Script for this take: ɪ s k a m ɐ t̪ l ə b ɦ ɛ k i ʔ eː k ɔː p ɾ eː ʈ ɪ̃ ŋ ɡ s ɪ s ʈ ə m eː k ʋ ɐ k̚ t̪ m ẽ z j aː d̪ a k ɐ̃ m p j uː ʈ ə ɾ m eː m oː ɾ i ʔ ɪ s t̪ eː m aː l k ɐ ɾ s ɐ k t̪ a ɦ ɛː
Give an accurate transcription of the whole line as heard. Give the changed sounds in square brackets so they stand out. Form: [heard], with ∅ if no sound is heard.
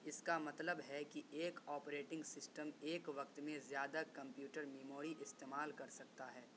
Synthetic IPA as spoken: ɪ s k a m ɐ t̪ l ə b ɦ ɛ k i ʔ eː k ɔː p ɾ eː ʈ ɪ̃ ŋ ɡ s ɪ s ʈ ə m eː k ʋ ɐ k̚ t̪ m ẽ z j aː d̪ a k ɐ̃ m p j uː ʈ ə ɾ m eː m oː ɾ i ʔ ɪ s t̪ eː m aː l k ɐ ɾ s ɐ k t̪ a ɦ ɛː

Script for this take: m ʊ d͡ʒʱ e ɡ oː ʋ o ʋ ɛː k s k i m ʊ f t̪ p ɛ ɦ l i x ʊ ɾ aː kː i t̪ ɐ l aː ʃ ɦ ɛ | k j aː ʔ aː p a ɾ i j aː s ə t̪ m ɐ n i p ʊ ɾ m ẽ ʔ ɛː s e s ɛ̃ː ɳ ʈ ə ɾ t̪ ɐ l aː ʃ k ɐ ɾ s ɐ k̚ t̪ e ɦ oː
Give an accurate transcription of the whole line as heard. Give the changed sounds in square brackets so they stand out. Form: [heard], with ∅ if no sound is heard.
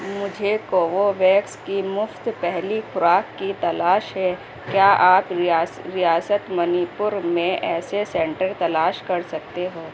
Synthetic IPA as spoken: m ʊ d͡ʒʱ e [k] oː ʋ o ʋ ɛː k s k i m ʊ f t̪ p ɛ ɦ l i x ʊ ɾ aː kː i t̪ ɐ l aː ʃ ɦ ɛ | k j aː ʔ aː p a ɾ i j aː s ə t̪ m ɐ n i p ʊ ɾ m ẽ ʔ ɛː s e s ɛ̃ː ɳ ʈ ə ɾ t̪ ɐ l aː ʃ k ɐ ɾ s ɐ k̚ t̪ e ɦ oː

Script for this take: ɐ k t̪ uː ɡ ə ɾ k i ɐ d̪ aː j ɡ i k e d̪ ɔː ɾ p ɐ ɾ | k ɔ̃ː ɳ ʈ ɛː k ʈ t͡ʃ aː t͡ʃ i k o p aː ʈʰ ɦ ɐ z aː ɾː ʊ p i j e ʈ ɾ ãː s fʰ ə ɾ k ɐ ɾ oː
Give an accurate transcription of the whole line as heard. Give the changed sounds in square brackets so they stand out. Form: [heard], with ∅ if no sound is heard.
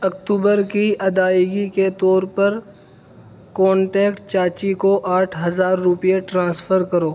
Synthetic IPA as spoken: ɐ k t̪ uː [b] ə ɾ k i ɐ d̪ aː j ɡ i k e [t̪] ɔː ɾ p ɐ ɾ | k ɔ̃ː ɳ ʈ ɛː k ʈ t͡ʃ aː t͡ʃ i k o [ʔ] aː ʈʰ ɦ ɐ z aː ɾː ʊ p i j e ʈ ɾ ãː s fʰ ə ɾ k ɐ ɾ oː

